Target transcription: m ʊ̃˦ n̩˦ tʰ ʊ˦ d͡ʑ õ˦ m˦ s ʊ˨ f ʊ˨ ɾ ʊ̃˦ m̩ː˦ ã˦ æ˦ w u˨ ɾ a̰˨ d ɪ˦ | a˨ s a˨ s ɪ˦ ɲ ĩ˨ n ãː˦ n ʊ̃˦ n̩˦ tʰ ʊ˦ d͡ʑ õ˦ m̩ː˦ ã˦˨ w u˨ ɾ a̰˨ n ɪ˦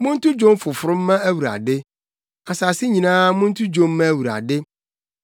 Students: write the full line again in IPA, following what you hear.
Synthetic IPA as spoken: m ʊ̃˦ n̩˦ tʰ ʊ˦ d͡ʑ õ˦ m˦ f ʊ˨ f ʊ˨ ɾ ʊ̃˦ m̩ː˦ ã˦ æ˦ w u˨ ɾ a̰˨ d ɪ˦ | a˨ s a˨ s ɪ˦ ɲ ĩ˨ n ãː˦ m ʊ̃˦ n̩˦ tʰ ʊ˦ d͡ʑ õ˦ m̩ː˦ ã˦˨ w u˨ ɾ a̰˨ d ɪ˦